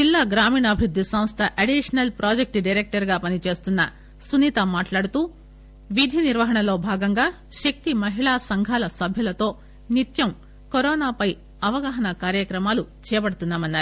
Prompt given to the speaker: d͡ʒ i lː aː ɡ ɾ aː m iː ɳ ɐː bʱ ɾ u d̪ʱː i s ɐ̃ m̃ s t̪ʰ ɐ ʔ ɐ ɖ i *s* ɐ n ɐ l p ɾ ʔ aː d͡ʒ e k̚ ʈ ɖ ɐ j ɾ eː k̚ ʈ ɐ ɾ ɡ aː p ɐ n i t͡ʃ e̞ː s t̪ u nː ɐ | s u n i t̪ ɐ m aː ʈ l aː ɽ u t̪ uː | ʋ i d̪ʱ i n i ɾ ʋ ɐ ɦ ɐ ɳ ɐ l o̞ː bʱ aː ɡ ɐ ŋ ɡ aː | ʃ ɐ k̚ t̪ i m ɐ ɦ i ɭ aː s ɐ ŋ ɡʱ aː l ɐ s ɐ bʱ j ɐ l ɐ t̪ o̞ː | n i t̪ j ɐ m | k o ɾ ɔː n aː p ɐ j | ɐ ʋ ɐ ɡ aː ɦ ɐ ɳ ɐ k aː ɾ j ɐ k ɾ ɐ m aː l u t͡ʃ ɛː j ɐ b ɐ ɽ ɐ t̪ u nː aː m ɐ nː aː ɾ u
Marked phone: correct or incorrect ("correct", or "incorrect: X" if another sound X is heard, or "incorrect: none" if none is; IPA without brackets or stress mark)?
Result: incorrect: ʂ